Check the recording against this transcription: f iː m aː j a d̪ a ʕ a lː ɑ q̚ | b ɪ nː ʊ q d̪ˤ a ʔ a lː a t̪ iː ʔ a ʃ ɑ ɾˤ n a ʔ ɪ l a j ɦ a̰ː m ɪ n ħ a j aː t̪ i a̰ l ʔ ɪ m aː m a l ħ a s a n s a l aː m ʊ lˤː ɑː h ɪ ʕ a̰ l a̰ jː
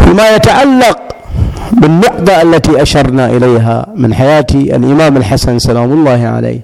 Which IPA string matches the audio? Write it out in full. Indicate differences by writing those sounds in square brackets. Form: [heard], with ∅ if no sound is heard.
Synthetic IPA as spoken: f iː m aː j a [t̪] a ʕ a lː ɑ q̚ | b ɪ nː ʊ q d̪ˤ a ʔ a lː a t̪ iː ʔ a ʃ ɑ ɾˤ n a ʔ ɪ l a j ɦ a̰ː m ɪ n ħ a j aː t̪ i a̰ l ʔ ɪ m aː m a l ħ a s a n s a l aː m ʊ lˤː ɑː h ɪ ʕ a̰ l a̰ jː